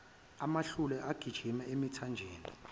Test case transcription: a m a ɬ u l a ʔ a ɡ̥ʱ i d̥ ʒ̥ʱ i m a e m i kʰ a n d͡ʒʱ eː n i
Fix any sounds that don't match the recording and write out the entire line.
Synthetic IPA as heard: a m a ɬ u l ɛ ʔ a ɡ̥ʱ i d̥ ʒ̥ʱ i m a e m i tʰ a n d͡ʒʱ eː n i